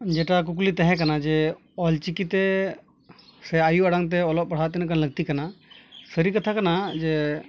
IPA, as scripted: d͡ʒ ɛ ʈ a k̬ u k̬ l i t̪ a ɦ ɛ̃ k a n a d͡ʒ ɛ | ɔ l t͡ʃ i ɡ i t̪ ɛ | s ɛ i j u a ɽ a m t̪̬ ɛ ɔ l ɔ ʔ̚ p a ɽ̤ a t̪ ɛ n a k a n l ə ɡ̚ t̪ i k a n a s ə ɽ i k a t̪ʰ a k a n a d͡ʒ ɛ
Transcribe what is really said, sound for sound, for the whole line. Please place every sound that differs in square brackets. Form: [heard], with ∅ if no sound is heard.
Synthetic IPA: d͡ʒ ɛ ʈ a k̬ u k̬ l i t̪ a ɦ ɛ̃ k a n a d͡ʒ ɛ | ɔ l t͡ʃ i [k] i t̪ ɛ | s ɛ [a] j u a ɽ a [ŋ] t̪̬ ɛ ɔ l ɔ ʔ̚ p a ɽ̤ a t̪ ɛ n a k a n l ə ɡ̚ t̪ i k a n a s ə [ɾ] i k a t̪ʰ a k a n a d͡ʒ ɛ